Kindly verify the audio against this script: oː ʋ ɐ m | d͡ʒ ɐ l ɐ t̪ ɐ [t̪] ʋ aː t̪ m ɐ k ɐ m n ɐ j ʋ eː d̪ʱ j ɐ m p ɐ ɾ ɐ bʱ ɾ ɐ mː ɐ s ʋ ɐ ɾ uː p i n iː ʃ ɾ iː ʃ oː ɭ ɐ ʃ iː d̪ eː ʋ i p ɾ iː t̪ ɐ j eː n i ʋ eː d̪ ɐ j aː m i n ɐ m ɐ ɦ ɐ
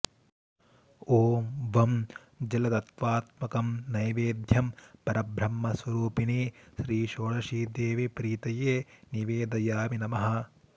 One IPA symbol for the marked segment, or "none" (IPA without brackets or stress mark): t̪